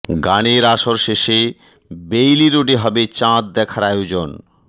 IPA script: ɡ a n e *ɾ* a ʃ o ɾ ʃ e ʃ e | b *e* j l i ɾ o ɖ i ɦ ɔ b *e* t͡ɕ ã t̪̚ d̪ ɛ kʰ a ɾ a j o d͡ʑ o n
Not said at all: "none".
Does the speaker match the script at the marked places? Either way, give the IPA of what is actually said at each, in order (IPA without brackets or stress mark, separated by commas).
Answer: ɾ, e, e